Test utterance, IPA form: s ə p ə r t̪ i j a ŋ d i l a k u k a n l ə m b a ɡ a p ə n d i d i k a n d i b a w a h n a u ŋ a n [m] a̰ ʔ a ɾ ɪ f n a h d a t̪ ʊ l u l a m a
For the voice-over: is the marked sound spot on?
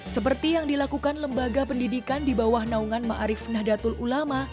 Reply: yes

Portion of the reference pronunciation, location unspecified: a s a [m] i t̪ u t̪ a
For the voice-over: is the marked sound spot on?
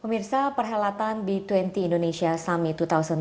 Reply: yes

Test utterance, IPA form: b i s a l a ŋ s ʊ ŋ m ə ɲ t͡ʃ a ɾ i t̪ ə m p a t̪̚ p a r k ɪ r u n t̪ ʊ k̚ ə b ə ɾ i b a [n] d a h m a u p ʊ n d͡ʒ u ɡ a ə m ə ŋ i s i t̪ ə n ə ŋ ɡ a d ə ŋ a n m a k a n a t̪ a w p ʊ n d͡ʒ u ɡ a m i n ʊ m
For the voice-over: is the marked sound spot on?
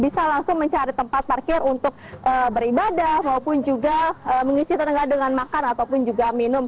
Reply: no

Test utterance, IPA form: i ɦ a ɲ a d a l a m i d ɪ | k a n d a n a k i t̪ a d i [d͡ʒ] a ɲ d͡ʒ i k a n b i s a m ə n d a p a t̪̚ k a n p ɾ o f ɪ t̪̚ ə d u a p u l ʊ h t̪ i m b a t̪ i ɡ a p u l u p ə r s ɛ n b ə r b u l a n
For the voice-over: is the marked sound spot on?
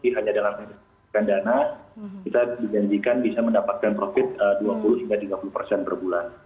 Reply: yes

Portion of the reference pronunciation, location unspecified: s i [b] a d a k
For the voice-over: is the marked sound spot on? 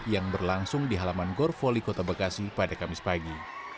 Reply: no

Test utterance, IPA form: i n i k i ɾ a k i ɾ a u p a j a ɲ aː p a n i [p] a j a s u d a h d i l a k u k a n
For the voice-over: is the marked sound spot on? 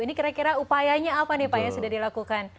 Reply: yes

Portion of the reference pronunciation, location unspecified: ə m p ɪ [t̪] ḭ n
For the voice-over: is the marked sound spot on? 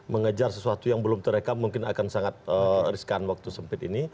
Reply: yes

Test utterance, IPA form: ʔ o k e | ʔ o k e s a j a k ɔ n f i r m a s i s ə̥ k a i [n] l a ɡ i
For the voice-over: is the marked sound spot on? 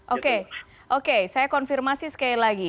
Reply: no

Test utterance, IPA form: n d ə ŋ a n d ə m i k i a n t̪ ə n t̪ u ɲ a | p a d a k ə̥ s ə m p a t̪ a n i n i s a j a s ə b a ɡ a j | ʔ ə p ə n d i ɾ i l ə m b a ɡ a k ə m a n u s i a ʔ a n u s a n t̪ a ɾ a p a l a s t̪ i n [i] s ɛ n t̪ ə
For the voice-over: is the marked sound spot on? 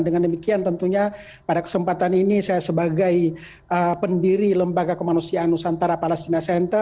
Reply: no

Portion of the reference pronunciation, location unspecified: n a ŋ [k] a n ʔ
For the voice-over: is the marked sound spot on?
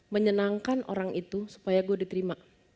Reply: yes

